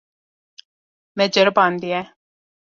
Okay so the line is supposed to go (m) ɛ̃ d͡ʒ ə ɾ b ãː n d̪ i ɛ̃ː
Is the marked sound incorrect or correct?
correct